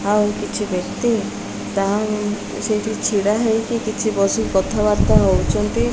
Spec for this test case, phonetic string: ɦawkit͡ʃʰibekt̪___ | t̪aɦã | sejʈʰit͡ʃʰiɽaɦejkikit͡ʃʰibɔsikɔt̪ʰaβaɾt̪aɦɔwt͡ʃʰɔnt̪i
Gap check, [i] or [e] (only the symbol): i